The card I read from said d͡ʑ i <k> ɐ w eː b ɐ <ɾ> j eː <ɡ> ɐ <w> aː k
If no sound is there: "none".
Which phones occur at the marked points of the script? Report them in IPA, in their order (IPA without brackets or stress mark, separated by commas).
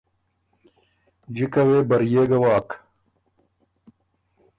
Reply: k, ɾ, ɡ, w